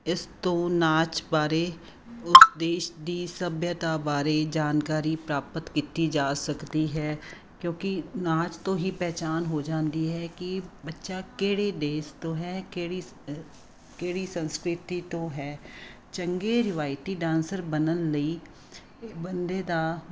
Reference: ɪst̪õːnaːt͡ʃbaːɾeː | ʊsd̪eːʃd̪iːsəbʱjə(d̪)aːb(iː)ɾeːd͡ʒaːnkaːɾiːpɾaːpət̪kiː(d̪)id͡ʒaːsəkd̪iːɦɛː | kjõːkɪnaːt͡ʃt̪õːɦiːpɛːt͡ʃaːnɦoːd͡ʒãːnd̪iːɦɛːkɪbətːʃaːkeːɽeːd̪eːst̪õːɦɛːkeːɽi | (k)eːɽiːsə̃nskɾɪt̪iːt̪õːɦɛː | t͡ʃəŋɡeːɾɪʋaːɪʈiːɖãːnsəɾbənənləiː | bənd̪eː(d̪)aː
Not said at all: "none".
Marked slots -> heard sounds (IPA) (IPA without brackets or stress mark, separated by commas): t̪, aː, t̪, k, d̪